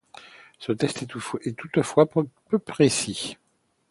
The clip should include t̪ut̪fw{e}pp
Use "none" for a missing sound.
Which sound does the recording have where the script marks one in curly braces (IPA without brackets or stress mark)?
a